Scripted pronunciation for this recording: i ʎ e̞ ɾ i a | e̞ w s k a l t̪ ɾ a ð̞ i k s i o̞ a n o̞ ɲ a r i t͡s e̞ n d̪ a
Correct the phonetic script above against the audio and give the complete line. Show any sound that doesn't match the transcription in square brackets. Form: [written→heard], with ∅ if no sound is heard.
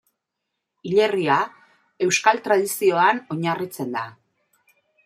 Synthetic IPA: i ʎ e̞ [ɾ→r] i a | e̞ w s k a l t̪ ɾ a ð̞ i [k→∅] s i o̞ a n o̞ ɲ a r i t͡s e̞ n d̪ a